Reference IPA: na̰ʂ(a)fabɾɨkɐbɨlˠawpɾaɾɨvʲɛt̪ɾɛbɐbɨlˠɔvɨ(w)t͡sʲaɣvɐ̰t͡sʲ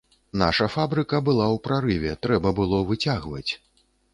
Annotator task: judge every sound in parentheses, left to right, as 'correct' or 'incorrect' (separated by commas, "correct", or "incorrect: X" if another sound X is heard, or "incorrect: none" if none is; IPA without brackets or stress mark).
incorrect: ɐ, incorrect: none